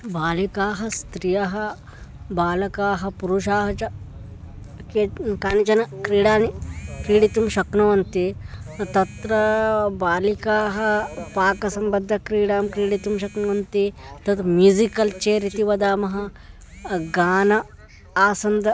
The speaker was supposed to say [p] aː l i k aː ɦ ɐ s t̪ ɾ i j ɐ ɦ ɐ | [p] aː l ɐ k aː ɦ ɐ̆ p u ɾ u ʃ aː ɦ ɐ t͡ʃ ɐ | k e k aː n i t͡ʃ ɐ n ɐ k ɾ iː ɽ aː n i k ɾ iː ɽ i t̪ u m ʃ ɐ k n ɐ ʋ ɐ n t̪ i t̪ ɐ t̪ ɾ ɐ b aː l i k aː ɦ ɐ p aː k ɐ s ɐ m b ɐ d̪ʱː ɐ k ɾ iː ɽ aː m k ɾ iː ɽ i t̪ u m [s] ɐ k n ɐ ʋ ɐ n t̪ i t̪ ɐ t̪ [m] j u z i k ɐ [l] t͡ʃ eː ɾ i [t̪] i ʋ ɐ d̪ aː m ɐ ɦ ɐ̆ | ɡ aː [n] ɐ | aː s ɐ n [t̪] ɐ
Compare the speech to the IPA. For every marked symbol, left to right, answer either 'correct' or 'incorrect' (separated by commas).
incorrect, incorrect, incorrect, correct, correct, correct, correct, incorrect